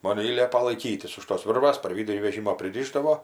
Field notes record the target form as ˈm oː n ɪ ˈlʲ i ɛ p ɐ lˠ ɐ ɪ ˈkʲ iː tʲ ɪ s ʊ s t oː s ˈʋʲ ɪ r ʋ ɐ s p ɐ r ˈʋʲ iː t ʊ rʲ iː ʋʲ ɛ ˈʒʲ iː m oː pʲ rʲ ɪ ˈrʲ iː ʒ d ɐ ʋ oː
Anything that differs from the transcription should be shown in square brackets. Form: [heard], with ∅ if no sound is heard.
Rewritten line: ˈm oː n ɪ ˈlʲ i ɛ p ɐ lˠ ɐ ɪ ˈkʲ iː tʲ ɪ s ʊ [ʃ] t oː s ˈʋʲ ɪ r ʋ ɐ s p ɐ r ˈʋʲ iː [d] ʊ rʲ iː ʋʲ ɛ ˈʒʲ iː m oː pʲ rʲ ɪ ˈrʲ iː ʒ d ɐ ʋ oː